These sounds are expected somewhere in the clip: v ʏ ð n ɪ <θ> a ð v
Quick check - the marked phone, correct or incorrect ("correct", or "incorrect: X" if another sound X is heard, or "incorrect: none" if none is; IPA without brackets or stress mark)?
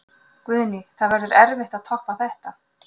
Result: correct